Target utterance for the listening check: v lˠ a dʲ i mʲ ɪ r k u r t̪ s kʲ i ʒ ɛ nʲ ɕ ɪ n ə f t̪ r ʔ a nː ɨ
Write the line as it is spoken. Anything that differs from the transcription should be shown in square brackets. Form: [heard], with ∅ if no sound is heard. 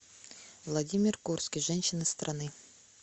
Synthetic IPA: v lˠ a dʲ i mʲ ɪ r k u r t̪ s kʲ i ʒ ɛ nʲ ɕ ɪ n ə [s] t̪ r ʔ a [n] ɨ